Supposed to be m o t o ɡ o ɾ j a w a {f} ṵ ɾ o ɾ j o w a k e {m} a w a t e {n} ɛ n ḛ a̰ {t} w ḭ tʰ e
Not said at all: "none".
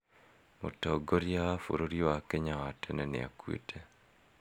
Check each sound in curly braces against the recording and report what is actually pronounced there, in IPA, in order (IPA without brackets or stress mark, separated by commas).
f, ɲ, n, k